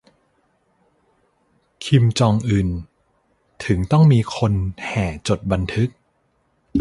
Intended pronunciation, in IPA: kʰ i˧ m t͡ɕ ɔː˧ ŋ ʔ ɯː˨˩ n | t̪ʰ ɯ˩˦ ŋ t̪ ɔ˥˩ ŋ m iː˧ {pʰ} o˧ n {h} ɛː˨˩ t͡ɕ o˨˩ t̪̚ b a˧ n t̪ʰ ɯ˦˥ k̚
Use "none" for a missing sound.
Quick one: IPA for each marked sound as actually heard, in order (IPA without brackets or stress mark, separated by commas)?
kʰ, h